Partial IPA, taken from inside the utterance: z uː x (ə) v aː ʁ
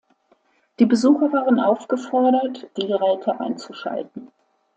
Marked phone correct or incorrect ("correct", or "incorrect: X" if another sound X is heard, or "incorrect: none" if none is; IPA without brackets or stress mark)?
incorrect: ɐ